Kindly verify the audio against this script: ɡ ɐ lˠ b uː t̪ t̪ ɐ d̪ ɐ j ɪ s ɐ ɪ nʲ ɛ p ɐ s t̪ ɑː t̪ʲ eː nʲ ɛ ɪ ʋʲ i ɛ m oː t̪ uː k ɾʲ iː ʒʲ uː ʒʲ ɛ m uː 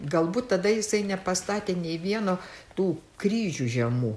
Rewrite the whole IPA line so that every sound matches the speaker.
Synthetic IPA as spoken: ɡ ɐ lˠ b uː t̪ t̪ ɐ d̪ ɐ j ɪ s ɐ ɪ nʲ ɛ p ɐ s t̪ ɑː t̪ʲ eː nʲ ɛ ɪ ʋʲ i ɛ n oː t̪ uː k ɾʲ iː ʒʲ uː ʒʲ ɛ m uː

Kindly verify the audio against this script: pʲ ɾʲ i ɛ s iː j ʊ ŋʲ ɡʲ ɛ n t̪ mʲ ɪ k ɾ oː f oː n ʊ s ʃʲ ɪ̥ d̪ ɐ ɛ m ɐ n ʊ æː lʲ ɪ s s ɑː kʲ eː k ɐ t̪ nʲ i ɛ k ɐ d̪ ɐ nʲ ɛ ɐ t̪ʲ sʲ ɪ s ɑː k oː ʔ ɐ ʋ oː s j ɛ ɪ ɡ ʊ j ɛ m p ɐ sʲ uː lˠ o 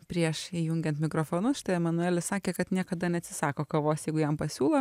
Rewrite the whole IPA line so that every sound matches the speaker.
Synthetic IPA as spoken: pʲ ɾʲ i ɛ ʃ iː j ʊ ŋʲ ɡʲ ɛ n t̪ mʲ ɪ k ɾ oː f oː n ʊ s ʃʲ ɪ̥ t̪ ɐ ɛ m ɐ n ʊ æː lʲ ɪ s s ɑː kʲ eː k ɐ t̪ nʲ i ɛ k ɐ d̪ ɐ nʲ ɛ ɐ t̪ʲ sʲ ɪ s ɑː k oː k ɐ ʋ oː s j ɛ ɪ ɡ ʊ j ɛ m p ɐ sʲ uː lˠ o

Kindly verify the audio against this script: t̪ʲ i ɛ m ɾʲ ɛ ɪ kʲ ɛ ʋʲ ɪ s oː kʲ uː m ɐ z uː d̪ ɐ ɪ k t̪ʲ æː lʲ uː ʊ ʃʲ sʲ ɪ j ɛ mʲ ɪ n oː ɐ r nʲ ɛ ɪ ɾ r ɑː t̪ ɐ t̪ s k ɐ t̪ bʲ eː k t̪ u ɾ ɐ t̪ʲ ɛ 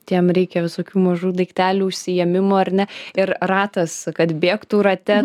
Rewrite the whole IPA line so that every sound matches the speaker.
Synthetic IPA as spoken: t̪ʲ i ɛ m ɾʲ ɛ ɪ kʲ ɛ ʋʲ ɪ s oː kʲ uː m ɐ ʒ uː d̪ ɐ ɪ k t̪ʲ æː lʲ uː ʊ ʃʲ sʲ ɪ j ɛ mʲ ɪ m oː ɐ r nʲ ɛ ɪ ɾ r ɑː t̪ ɐ s k ɐ t̪ bʲ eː k t̪ u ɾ ɐ t̪ʲ ɛ

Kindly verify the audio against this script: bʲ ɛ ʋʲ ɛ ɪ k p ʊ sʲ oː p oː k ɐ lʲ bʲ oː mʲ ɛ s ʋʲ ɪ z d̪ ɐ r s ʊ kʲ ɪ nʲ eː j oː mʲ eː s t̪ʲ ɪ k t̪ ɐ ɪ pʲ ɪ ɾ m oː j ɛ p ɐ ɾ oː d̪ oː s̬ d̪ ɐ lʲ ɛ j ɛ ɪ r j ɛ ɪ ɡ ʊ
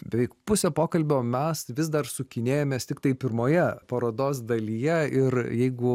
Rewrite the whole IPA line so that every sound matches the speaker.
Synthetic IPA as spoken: bʲ ɛ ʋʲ ɛ ɪ k p ʊ sʲ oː p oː k ɐ lʲ bʲ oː mʲ ɛ s ʋʲ ɪ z d̪ ɐ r s ʊ kʲ ɪ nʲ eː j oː mʲ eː s t̪ʲ ɪ k t̪ ɐ ɪ pʲ ɪ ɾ m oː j ɛ p ɐ ɾ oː d̪ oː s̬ d̪ ɐ lʲ i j ɛ ɪ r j ɛ ɪ ɡ ʊ

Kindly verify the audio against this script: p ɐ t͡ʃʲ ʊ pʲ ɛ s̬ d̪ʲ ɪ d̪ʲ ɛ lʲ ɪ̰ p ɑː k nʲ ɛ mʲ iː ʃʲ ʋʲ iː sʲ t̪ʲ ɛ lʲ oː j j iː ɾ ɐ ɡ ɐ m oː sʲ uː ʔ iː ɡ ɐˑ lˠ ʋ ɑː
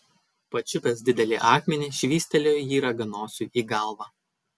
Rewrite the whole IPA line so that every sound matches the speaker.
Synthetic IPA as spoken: p ɐ t͡ʃʲ ʊ pʲ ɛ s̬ d̪ʲ ɪ d̪ʲ ɛ lʲ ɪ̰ ʔ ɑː k mʲ ɛ nʲ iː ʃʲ ʋʲ iː sʲ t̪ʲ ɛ lʲ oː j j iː ɾ ɐ ɡ ɐ n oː sʲ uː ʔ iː ɡ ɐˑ lˠ ʋ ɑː

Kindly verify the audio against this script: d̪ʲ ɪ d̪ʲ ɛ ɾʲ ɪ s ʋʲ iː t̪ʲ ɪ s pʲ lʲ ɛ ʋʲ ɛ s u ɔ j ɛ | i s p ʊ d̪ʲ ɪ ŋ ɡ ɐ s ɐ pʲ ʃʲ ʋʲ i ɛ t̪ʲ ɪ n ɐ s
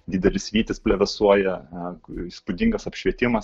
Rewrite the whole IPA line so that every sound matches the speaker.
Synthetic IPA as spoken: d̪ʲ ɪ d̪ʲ ɛ lʲ ɪ s ʋʲ iː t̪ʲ ɪ s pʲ lʲ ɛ ʋʲ ɛ s u ɔ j ɛ | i s p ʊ d̪ʲ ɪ ŋ ɡ ɐ s ɐ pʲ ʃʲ ʋʲ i ɛ t̪ʲ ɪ m ɐ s

